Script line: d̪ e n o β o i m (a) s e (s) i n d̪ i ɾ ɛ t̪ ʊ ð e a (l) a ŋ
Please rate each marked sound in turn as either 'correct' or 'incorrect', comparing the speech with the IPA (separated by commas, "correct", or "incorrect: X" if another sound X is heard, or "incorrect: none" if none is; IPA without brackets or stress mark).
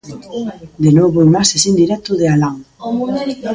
correct, correct, correct